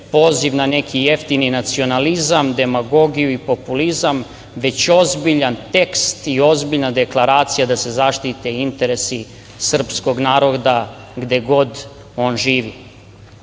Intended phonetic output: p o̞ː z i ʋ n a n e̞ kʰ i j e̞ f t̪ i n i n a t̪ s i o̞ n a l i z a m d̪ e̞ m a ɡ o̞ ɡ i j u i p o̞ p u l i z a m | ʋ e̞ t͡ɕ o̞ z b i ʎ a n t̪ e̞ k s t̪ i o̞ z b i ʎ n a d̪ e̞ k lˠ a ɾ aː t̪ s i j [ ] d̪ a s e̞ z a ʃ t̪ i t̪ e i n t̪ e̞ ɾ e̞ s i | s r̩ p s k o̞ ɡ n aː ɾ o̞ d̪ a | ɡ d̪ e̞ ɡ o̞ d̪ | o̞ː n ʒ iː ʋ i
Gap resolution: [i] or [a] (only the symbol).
a